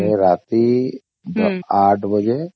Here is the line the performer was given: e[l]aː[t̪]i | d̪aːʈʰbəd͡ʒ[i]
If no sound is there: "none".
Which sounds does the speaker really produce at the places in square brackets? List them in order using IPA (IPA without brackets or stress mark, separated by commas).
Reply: ɾ, t̪, e